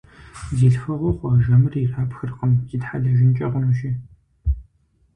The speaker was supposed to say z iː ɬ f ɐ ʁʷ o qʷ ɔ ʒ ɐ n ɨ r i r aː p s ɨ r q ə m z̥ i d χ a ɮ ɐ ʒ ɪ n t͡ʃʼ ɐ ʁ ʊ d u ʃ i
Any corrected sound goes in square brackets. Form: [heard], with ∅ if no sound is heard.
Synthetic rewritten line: z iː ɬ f ɐ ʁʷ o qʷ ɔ ʒ ɐ [m] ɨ r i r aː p [x] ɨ r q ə m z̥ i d [ħ] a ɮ ɐ ʒ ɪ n t͡ʃʼ ɐ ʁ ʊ [n] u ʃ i